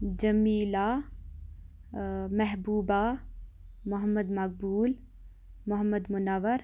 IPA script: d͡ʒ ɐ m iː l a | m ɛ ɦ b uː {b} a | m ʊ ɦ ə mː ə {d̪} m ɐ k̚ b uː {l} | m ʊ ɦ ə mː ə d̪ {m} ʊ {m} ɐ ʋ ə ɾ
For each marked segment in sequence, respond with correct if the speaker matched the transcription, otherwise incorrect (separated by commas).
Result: correct, correct, correct, correct, incorrect